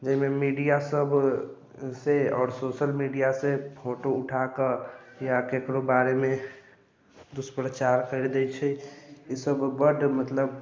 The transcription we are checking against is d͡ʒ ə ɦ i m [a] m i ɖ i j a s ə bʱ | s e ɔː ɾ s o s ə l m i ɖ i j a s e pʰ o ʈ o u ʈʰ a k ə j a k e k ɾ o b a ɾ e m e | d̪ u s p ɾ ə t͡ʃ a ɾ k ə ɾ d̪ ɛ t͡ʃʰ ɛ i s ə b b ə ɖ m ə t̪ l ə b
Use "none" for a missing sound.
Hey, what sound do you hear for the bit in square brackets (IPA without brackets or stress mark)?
e